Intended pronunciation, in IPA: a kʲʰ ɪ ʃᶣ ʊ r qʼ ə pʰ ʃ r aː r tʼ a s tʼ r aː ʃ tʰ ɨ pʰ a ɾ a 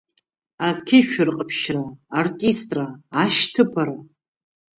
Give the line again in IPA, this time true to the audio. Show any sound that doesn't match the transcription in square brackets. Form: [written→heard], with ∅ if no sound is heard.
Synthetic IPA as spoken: a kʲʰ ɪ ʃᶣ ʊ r qʼ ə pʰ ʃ r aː r tʼ [a→i] s tʼ r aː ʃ tʰ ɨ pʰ a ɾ a